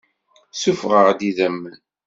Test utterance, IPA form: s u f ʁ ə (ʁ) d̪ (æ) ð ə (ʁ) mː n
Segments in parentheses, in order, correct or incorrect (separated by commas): correct, incorrect, incorrect